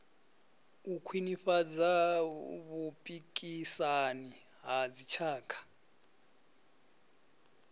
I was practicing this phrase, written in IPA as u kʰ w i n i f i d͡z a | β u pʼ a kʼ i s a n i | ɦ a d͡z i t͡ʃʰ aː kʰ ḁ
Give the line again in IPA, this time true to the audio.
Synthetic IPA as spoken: u kʰ w i n i f a d͡z a | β u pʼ i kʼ i s a n i | ɦ a d͡z i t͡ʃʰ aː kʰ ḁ